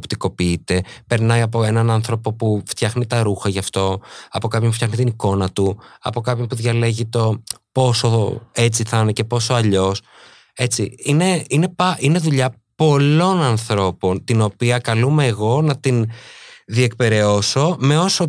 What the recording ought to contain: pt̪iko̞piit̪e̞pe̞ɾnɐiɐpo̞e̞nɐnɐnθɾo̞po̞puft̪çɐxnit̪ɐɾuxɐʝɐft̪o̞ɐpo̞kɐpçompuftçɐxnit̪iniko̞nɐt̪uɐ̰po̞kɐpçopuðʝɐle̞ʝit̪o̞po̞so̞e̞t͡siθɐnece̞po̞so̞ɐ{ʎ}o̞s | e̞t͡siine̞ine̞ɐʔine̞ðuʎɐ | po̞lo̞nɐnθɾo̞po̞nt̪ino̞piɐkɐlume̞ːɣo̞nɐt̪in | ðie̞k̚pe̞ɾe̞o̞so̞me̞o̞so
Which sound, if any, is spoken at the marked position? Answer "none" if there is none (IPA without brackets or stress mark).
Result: ʎ